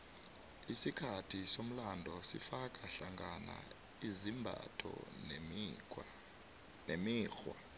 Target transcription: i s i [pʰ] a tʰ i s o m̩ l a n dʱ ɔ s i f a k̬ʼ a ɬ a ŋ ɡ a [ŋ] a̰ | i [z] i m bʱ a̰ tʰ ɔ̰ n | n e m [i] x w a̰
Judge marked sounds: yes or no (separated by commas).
no, no, yes, no